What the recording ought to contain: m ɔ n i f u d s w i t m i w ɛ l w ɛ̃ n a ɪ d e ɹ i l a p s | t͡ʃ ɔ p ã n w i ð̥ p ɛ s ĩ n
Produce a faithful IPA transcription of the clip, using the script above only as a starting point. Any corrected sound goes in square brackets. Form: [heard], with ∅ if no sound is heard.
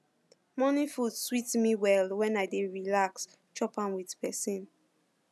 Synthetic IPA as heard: m ɔ n i f u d s w i t m i w ɛ l w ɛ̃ n a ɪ d e ɹ i l a [k] s | t͡ʃ ɔ p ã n w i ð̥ p ɛ s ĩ n